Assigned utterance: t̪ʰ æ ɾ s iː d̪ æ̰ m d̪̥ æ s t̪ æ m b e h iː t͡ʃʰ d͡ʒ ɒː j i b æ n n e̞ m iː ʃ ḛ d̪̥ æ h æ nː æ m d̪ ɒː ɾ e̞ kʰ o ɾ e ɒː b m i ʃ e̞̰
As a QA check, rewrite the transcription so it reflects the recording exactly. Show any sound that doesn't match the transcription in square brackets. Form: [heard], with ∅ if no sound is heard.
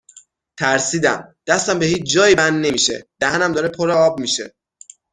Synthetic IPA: t̪ʰ æ ɾ s iː d̪ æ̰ m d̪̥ æ s t̪ æ m b e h iː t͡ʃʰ d͡ʒ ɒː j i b æ n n e̞ m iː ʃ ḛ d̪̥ æ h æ [n] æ m d̪ ɒː ɾ e̞ [pʰ] o ɾ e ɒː b m i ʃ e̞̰

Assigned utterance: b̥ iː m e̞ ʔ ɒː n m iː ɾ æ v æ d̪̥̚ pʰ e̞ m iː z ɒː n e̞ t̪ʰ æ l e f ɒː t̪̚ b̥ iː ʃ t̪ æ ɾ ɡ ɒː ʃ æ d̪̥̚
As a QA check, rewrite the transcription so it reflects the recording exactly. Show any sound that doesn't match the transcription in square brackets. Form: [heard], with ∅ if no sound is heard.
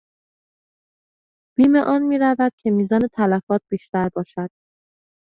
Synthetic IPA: b̥ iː m e̞ ʔ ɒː n m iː ɾ æ v æ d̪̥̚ [cʰ] e̞ m iː z ɒː n e̞ t̪ʰ æ l [æ] f ɒː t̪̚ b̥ iː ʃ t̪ æ ɾ [b] ɒː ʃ æ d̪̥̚

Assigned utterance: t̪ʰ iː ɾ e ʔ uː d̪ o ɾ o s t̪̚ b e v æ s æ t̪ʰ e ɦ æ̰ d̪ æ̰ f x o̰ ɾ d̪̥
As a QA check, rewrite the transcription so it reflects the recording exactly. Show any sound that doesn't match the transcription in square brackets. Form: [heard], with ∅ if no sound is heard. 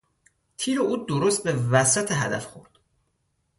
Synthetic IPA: t̪ʰ iː ɾ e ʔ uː d̪ o ɾ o s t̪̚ b e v æ s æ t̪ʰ e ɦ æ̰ d̪ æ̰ f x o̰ ɾ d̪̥

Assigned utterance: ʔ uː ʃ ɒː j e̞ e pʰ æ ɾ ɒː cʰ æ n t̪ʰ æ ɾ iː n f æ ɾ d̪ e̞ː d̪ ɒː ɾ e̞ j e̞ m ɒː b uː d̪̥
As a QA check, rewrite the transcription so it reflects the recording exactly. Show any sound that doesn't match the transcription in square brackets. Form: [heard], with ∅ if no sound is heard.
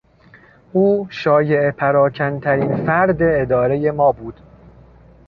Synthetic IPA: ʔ uː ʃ ɒː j e̞ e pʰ æ ɾ ɒː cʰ æ n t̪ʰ æ ɾ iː n f æ ɾ d̪ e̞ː d̪ ɒː ɾ e̞ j e̞ m ɒː b uː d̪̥

